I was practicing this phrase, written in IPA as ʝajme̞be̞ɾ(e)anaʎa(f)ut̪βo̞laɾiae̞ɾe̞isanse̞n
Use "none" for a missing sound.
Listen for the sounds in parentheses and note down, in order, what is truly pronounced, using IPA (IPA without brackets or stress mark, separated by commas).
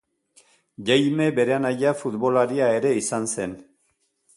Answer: e, f